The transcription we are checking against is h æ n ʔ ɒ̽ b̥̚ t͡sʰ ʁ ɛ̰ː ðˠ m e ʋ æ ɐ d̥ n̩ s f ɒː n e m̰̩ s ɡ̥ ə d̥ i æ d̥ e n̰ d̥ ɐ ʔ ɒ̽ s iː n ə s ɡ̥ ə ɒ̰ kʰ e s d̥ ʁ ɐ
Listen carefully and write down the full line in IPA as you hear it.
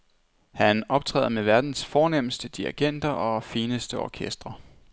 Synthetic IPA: h æ n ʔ ɒ̽ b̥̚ t͡sʰ ʁ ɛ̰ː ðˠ m e ʋ æ ɐ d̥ n̩ s f ɒː n e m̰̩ s d̥ ə d̥ i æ ɡ̥ e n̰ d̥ ɐ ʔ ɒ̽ f iː n ə s d̥ ə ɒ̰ kʰ e s d̥ ʁ ɐ